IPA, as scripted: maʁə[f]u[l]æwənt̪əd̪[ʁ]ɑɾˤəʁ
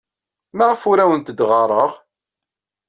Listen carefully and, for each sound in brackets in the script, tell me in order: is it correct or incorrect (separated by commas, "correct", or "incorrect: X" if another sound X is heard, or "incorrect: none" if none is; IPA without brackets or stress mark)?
correct, incorrect: ɾ, correct